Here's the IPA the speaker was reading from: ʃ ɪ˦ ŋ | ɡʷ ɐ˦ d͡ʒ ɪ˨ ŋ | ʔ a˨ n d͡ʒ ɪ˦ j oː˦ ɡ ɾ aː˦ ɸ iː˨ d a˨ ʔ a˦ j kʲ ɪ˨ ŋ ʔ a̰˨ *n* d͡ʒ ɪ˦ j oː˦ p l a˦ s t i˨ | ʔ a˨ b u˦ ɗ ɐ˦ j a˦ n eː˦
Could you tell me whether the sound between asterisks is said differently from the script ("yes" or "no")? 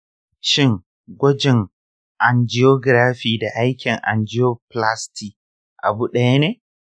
no